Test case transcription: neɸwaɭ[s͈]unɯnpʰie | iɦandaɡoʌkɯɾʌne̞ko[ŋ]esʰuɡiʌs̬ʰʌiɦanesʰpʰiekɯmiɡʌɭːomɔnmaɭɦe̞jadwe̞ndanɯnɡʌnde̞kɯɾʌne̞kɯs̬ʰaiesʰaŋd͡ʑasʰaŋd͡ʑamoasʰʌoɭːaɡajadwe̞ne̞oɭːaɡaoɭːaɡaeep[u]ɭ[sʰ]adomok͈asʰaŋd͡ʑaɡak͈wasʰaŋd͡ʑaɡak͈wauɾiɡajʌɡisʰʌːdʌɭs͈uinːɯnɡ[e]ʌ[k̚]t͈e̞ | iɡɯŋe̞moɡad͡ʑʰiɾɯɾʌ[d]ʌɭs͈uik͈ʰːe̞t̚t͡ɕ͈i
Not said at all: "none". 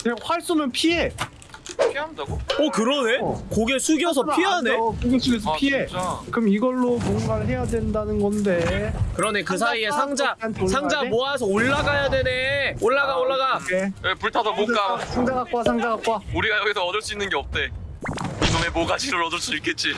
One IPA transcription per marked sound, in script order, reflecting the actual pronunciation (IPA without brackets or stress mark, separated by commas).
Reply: s͈, ɡ, u, tʰ, e, p̚, d